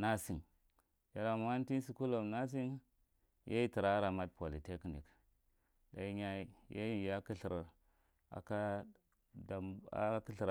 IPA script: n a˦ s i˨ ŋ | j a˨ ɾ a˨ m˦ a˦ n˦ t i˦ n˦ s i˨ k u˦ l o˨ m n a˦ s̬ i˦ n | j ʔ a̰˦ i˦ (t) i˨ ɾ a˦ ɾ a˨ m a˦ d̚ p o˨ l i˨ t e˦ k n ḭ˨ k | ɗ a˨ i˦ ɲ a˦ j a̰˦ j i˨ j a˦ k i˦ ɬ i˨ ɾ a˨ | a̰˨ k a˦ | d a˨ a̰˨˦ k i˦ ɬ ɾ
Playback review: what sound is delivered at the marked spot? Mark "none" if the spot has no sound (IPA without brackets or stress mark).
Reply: t